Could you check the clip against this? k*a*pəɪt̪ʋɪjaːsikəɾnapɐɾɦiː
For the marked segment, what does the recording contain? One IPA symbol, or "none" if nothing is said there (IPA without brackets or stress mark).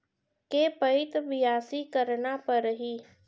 e